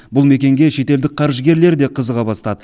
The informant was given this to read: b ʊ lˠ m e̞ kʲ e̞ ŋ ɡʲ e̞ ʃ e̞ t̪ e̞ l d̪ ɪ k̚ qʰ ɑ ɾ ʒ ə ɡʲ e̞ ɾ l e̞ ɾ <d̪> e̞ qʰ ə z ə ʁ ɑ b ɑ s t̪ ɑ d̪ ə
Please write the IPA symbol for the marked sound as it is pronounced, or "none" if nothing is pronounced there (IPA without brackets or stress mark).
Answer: d̪